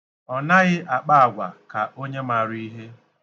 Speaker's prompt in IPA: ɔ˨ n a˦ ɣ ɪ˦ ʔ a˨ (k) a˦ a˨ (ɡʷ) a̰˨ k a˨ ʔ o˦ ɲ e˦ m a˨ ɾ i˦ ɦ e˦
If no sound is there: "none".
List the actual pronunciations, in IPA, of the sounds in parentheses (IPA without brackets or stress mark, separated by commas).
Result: k͡p, ɡʷ